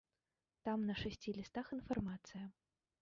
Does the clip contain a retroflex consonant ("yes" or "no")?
yes